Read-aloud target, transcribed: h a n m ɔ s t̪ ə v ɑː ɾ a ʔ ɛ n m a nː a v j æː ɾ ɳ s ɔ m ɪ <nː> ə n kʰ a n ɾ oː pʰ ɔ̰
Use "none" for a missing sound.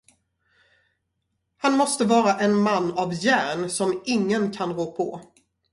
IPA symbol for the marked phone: ŋː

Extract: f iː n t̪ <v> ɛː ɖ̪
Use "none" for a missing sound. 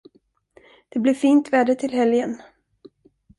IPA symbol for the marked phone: v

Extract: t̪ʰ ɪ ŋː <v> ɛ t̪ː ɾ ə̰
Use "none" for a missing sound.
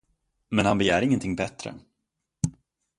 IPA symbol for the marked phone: b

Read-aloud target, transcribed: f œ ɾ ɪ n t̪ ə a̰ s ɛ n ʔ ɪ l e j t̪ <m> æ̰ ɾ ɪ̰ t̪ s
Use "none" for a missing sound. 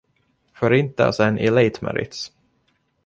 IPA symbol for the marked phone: m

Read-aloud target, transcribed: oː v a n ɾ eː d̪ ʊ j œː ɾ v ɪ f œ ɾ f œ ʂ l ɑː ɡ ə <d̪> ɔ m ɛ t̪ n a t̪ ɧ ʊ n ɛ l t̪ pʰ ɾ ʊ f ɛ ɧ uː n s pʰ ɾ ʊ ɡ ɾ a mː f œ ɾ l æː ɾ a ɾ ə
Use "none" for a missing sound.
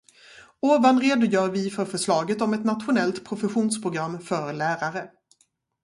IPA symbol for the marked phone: t̪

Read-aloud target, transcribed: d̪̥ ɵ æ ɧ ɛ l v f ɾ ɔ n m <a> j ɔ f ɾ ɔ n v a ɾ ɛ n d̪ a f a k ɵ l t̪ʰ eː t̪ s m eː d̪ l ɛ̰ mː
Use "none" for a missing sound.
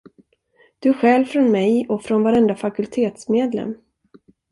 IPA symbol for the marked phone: ɛ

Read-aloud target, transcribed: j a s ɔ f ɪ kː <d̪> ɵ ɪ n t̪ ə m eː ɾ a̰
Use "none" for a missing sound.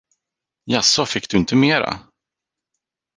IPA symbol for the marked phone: d̪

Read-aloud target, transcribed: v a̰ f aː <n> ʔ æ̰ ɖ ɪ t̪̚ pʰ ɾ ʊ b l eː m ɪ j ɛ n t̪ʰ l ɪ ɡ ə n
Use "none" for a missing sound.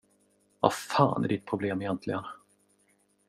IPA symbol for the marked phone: n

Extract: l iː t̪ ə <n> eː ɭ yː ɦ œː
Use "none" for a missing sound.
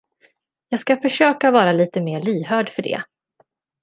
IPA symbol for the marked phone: m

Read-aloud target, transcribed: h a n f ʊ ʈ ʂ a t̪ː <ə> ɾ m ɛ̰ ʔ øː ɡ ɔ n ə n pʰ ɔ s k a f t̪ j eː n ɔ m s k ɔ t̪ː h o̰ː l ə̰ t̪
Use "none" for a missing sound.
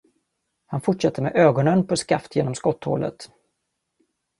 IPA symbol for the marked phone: ə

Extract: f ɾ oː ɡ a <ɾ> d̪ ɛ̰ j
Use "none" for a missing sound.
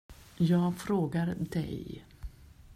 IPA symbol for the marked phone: ɾ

